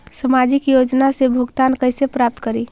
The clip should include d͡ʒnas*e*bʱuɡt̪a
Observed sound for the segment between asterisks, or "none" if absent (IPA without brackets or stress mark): e